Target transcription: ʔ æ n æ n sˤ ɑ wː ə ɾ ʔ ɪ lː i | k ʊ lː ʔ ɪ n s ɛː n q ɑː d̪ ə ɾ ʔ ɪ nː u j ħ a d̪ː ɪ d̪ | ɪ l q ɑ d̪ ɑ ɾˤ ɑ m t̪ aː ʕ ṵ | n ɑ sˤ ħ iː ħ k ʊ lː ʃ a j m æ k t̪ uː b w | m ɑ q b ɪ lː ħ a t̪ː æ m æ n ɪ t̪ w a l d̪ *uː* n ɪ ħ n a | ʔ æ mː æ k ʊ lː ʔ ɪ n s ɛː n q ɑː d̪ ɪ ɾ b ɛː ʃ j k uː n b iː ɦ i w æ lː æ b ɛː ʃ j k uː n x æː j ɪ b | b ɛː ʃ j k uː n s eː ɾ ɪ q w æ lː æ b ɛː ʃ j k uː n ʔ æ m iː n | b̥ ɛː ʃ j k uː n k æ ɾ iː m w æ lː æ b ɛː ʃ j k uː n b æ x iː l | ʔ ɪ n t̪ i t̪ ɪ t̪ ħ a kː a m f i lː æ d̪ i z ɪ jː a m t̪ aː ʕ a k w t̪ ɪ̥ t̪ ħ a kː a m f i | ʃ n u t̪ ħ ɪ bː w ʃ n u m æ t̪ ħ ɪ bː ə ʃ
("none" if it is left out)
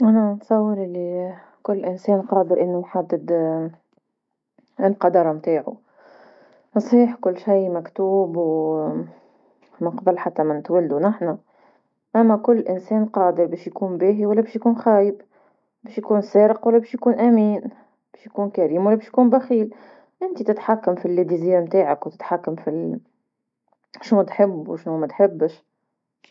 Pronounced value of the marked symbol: u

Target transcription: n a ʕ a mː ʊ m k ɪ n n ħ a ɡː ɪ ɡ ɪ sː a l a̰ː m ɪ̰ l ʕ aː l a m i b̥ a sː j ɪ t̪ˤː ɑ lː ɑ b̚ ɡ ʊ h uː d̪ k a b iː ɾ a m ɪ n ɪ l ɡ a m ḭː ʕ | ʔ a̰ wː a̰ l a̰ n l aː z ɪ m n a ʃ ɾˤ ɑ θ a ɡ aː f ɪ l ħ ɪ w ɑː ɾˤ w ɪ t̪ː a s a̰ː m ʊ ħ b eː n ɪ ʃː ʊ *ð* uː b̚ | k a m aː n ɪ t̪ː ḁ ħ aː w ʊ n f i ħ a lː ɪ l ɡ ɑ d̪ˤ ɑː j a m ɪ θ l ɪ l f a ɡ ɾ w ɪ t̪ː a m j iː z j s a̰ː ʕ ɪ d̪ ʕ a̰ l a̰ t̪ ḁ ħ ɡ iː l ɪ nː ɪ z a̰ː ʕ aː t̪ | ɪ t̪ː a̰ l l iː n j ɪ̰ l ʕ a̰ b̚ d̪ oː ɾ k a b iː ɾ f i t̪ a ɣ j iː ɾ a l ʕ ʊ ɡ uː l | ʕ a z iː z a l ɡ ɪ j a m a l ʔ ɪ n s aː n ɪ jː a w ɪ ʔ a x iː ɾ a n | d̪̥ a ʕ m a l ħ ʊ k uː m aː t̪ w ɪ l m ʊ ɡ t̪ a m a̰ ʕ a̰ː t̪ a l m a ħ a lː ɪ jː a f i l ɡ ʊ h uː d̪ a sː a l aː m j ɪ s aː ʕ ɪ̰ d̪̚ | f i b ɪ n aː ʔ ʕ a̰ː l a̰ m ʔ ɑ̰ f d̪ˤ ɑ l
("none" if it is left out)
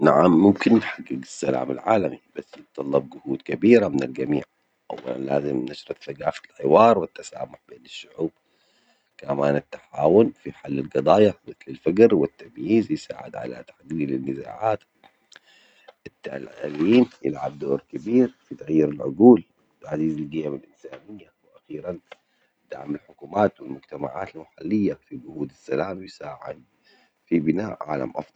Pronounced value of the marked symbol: ʕ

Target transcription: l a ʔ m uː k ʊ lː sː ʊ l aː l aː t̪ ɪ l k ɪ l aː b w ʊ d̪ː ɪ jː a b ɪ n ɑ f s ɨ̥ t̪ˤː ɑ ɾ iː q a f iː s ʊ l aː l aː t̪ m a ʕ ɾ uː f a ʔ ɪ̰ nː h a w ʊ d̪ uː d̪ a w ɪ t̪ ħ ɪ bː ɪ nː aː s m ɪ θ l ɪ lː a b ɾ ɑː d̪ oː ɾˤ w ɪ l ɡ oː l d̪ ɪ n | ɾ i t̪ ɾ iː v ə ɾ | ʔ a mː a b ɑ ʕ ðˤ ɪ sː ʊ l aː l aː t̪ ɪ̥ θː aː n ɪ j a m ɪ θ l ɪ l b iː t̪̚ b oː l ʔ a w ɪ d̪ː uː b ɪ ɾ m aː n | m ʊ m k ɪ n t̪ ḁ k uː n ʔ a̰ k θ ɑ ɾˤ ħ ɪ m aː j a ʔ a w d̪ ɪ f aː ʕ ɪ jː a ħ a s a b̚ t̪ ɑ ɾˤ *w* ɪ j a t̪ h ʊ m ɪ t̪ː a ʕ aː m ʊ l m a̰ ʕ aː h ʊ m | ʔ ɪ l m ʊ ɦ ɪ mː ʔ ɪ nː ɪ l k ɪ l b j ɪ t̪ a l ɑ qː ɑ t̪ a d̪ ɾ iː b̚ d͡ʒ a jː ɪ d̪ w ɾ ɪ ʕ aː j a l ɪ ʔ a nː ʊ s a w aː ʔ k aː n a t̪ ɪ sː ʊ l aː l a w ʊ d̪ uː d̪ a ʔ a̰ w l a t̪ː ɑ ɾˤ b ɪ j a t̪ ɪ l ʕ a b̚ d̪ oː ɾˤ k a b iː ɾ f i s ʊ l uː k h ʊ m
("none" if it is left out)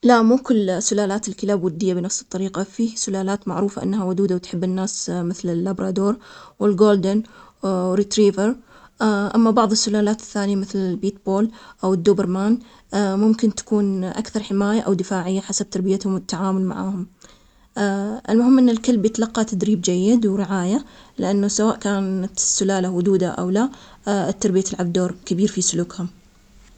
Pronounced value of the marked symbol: b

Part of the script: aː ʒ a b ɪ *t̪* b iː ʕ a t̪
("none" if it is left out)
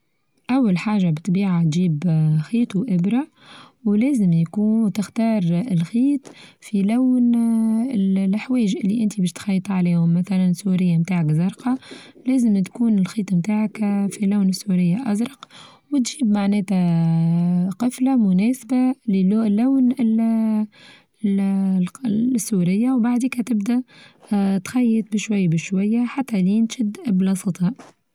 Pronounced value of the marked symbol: t̪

